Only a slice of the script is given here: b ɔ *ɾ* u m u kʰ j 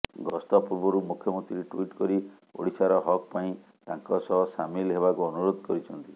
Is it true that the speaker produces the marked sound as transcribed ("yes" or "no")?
yes